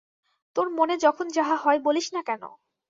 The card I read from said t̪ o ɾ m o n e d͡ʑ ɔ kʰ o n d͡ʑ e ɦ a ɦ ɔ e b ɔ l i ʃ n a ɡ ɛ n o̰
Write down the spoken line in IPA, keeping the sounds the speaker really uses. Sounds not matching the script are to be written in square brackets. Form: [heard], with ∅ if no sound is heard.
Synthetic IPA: t̪ o ɾ m o n e d͡ʑ ɔ kʰ o n d͡ʑ [a] ɦ a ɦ ɔ e b [o] l i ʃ n a [k] ɛ n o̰